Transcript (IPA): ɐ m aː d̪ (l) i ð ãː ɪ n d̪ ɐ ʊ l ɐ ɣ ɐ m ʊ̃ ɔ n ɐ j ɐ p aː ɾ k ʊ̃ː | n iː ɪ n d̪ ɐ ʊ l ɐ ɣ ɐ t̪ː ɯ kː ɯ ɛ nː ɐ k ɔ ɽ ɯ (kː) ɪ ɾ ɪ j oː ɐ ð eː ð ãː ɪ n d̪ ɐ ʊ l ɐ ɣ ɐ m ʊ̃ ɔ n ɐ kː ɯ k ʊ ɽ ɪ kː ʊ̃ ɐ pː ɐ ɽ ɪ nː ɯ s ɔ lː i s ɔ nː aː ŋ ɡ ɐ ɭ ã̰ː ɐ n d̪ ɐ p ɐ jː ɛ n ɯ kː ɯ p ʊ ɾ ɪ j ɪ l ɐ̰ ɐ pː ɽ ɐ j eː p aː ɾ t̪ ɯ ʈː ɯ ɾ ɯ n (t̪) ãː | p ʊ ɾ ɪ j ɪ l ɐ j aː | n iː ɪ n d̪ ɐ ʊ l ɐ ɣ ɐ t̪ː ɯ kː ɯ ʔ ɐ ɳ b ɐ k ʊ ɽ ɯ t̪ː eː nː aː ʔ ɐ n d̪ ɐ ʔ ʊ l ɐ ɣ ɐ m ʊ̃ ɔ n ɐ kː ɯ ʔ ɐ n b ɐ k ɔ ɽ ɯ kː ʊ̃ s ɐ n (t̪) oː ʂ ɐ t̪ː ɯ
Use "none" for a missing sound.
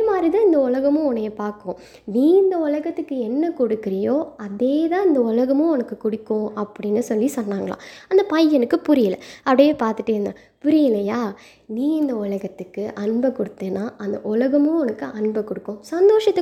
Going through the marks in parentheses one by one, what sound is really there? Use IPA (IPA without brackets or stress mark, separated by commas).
ɾ, kː, d̪, d̪